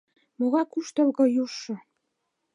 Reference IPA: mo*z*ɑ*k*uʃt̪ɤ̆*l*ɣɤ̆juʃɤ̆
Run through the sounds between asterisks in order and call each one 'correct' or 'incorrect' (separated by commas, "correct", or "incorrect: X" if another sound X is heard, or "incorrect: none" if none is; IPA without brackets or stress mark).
incorrect: ɣ, correct, correct